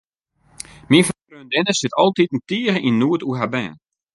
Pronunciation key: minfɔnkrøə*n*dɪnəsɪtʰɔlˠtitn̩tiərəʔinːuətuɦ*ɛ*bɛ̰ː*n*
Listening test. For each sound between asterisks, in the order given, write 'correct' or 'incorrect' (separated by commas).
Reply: correct, incorrect, correct